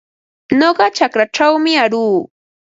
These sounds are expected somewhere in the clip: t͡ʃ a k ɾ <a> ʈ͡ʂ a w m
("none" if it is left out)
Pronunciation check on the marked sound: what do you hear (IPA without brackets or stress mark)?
a